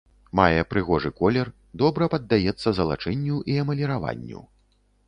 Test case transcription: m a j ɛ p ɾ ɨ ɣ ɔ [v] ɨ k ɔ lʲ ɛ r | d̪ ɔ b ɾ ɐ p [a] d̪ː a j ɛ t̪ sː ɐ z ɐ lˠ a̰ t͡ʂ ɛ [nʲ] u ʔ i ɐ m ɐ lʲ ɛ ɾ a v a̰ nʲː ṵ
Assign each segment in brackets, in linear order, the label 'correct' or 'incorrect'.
incorrect, incorrect, incorrect

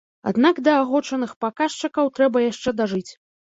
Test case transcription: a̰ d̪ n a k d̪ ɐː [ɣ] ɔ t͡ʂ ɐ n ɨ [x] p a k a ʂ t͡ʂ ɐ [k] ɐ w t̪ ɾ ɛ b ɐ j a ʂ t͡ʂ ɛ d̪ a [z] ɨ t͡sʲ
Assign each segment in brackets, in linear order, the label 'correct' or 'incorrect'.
correct, correct, correct, incorrect

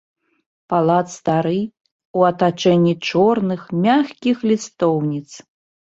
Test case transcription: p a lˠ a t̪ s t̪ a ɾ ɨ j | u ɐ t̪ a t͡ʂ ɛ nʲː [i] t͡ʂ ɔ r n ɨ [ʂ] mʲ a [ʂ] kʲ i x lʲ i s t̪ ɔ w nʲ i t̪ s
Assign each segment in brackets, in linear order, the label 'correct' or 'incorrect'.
correct, incorrect, incorrect

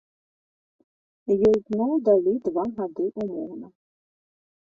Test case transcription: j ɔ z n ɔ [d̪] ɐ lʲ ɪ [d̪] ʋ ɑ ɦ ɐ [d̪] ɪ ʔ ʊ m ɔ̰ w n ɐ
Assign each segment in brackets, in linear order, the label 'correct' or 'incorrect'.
correct, correct, correct

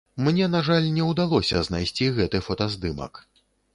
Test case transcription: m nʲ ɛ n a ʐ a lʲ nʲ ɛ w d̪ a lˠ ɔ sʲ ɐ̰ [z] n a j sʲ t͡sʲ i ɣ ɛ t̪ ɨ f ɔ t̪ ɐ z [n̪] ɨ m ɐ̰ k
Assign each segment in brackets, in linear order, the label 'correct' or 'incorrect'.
correct, incorrect

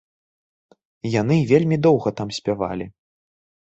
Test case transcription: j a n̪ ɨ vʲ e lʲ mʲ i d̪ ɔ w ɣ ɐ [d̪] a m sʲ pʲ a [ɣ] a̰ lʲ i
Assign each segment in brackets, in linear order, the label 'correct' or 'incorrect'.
incorrect, incorrect

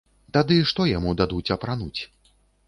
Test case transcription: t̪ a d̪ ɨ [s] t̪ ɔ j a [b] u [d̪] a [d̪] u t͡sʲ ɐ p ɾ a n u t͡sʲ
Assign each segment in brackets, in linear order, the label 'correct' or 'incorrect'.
incorrect, incorrect, correct, correct

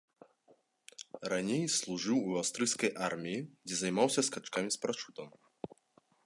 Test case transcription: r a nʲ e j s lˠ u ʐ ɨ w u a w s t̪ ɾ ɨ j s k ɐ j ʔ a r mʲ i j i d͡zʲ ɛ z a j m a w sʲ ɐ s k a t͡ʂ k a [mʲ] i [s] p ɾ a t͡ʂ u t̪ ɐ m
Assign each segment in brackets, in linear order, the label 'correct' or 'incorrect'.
correct, correct

